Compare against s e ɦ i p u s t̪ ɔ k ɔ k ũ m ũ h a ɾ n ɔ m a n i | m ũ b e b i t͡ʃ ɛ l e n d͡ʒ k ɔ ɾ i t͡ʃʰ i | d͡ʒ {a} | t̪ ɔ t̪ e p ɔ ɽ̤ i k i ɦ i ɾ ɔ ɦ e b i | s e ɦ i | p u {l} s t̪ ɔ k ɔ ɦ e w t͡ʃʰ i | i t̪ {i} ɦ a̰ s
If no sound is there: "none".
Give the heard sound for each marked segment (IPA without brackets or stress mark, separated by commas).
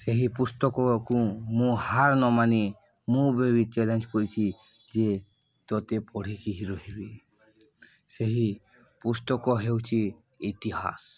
e, none, i